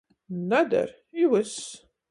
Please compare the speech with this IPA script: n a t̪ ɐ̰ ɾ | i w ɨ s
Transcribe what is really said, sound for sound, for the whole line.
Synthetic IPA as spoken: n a d̪ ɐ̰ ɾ | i w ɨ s